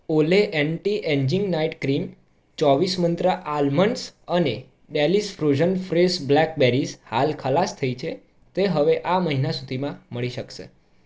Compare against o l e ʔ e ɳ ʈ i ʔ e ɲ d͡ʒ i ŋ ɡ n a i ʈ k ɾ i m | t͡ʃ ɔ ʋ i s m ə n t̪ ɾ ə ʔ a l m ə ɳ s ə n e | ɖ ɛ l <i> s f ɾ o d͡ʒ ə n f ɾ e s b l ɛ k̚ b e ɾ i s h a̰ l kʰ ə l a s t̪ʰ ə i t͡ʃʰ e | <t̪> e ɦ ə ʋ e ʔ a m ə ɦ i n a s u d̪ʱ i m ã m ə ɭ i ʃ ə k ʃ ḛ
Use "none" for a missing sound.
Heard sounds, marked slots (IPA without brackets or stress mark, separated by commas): i, t̪